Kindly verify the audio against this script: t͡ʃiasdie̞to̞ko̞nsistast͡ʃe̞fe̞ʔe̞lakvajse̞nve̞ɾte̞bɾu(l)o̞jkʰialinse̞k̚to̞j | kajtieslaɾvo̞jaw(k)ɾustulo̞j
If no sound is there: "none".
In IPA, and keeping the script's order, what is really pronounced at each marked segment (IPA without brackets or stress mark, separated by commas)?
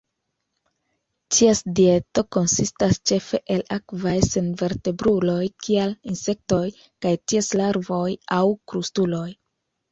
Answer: l, k